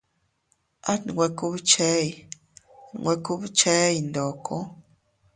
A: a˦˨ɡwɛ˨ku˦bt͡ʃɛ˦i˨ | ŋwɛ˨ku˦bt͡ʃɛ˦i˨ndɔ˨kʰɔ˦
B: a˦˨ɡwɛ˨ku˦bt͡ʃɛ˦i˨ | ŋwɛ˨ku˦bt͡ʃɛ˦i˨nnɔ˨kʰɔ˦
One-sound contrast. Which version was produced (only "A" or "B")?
A